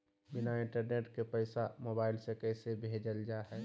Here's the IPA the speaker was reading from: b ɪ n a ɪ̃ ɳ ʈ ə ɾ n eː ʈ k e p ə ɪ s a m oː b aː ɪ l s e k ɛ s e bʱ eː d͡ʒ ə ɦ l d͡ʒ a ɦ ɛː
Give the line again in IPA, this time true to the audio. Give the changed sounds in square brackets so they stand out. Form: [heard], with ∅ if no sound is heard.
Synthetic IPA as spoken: b ɪ n a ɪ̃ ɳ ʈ ə ɾ n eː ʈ k e p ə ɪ s a m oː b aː ɪ l s e k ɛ s e bʱ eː d͡ʒ ə [∅] l d͡ʒ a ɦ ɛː